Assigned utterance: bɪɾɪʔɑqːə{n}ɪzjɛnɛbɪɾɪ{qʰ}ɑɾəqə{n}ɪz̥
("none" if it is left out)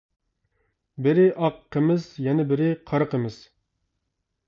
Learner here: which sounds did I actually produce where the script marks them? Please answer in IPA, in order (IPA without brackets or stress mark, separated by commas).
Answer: m, qʰ, m